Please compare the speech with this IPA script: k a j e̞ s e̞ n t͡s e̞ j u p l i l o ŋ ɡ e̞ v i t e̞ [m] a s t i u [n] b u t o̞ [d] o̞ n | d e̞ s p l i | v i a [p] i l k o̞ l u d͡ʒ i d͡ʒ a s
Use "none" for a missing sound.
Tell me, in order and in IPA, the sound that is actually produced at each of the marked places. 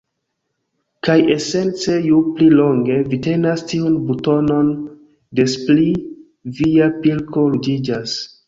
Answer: n, n, n, p

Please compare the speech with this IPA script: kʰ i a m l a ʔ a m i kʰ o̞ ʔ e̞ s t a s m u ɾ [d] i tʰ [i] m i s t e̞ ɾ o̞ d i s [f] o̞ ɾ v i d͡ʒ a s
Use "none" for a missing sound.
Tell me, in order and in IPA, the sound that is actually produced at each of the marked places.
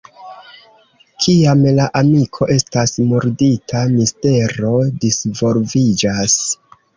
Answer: d, a, v

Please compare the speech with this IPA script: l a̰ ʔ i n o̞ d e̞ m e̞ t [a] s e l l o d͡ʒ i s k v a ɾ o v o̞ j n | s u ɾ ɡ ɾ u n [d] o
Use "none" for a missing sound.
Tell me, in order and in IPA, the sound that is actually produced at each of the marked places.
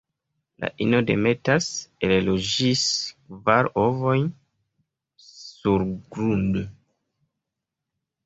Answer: a, d

